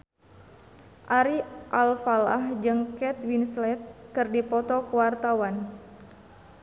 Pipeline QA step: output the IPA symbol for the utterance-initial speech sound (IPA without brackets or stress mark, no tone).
ʔ